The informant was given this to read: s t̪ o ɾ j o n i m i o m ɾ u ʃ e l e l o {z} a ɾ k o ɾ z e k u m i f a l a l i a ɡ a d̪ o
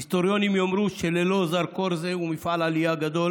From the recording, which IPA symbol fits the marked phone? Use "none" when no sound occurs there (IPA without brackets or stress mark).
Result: z